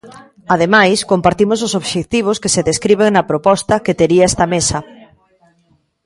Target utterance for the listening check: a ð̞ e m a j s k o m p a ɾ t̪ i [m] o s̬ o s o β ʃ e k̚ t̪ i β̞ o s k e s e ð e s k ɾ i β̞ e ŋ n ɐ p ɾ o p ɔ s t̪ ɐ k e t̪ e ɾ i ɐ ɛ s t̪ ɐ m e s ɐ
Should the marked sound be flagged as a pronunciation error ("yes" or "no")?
no